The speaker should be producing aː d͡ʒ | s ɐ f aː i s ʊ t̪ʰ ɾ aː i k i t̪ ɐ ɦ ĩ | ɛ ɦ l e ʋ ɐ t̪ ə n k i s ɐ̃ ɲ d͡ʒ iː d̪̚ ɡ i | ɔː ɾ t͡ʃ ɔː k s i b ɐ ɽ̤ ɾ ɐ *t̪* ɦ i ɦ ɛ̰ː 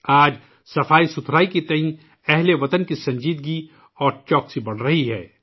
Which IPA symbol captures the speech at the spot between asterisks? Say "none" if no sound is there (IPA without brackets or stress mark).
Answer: none